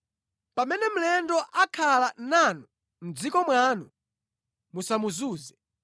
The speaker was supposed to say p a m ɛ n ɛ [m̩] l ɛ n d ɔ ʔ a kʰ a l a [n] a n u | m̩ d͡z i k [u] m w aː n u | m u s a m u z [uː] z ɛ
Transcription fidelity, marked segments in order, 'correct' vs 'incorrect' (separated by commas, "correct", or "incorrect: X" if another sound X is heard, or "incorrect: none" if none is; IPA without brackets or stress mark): correct, correct, incorrect: ɔ, correct